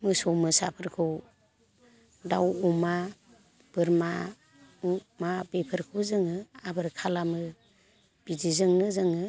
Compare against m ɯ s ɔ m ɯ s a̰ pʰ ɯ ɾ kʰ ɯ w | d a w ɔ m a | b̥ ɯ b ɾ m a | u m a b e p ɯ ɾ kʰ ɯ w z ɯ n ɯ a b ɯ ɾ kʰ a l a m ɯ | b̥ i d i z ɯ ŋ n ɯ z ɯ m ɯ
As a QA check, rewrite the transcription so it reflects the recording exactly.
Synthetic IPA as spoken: m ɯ s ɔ m ɯ s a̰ pʰ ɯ ɾ kʰ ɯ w | d a w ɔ m a | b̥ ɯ ɾ m a | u m a b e pʰ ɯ ɾ kʰ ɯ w z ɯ ŋ ɯ a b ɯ ɾ kʰ a l a m ɯ | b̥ i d i z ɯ ŋ n ɯ z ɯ ŋ ɯ